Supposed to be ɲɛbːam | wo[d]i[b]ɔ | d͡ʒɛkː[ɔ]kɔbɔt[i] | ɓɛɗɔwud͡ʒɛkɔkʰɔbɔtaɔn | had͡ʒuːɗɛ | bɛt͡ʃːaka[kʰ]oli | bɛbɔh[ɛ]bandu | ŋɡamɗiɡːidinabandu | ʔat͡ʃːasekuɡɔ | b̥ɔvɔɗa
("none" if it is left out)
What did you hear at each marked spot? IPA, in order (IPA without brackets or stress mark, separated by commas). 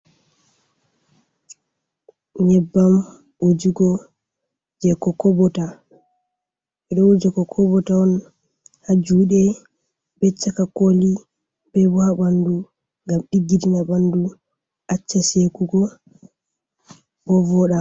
d͡ʒ, ɡ, ɔ, a, k, a